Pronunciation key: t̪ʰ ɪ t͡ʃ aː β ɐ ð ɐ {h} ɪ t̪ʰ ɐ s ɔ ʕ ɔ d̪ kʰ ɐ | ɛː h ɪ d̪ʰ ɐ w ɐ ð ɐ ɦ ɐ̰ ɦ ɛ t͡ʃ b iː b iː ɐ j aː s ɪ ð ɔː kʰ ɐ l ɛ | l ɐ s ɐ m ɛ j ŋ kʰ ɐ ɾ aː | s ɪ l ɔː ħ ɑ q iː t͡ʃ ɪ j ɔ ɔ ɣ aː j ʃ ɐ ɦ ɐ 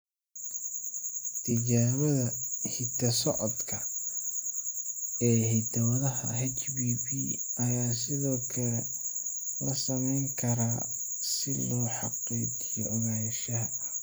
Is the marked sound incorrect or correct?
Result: correct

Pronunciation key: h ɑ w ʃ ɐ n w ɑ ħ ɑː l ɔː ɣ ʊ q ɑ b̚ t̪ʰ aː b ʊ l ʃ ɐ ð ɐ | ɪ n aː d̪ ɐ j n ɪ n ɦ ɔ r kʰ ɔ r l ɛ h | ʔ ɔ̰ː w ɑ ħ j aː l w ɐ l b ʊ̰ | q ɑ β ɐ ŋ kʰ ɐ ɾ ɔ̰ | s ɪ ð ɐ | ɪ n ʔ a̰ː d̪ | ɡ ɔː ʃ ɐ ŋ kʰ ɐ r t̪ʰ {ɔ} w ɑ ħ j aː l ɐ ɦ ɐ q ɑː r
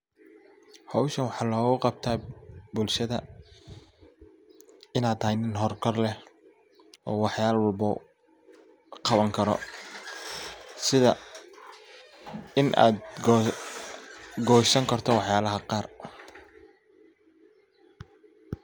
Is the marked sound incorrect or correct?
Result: correct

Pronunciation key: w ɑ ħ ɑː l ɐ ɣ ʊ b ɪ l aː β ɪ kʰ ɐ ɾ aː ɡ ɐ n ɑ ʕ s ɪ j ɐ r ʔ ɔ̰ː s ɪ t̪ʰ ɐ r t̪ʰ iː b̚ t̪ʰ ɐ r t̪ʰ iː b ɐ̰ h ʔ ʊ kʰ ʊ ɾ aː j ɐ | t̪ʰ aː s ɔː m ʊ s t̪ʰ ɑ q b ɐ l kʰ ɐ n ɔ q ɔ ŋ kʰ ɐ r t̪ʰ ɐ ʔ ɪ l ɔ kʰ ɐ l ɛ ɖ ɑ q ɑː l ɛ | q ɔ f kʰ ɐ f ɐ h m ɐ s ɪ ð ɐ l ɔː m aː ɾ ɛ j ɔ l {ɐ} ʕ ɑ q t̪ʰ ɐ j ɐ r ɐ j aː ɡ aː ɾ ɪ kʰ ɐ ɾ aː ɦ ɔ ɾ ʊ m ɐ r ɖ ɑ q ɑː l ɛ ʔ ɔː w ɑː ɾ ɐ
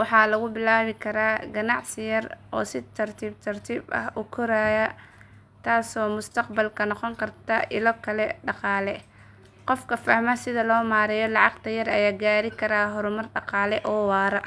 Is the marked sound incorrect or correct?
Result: incorrect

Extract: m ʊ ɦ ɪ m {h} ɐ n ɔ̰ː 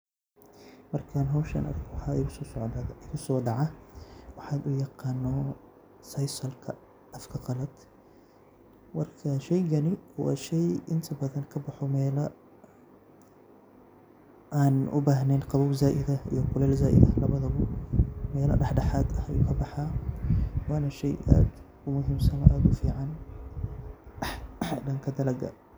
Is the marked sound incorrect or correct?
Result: incorrect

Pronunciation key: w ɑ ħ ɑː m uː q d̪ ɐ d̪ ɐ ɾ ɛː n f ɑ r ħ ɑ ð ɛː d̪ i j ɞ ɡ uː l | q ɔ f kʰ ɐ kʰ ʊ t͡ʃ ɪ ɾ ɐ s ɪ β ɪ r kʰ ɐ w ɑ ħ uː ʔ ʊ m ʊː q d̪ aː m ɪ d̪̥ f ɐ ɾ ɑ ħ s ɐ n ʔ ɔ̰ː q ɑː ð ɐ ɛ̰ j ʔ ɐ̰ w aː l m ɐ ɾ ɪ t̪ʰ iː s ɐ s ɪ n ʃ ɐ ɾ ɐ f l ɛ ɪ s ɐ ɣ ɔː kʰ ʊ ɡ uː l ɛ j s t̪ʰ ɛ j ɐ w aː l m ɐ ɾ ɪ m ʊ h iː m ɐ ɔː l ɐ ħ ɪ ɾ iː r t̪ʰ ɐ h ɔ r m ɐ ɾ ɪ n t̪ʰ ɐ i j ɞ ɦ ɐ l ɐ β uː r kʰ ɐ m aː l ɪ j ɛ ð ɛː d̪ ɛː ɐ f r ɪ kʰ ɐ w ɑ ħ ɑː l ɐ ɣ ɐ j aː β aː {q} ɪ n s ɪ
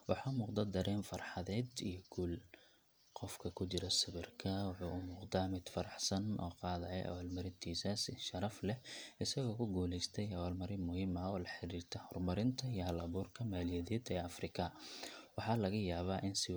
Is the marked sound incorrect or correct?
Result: incorrect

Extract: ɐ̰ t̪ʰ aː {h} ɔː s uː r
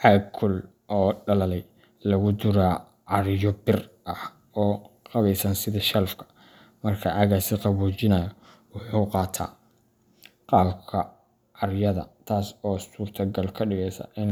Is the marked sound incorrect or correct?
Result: incorrect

